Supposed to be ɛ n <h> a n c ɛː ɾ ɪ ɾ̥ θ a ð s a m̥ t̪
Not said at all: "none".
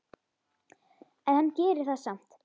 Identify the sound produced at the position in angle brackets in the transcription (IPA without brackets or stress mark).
h